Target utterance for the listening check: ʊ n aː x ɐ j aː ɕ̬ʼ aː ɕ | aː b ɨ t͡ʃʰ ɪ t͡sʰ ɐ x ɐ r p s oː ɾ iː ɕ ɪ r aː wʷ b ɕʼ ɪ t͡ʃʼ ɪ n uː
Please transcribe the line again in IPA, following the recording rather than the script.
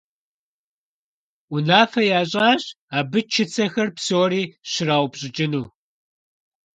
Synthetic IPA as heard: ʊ n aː f ɐ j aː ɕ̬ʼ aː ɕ | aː b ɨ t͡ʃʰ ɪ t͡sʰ ɐ x ɐ r p s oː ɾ iː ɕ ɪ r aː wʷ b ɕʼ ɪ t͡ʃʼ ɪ n uː